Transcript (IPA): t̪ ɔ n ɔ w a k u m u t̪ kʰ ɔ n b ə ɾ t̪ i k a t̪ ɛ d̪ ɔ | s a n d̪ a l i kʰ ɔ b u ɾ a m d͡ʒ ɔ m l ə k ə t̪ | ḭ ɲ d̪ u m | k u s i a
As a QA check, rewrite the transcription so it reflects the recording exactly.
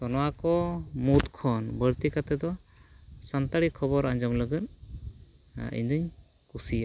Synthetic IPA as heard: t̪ ɔ n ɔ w a k ɔ m u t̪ kʰ ɔ n b ə ɾ t̪ i k a t̪ ɛ d̪ ɔ | s a n t̪ a ɽ i kʰ ɔ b ɔ ɾ a ɲ d͡ʒ ɔ m l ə ɡ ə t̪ | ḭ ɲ d̪ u ɲ | k u s i a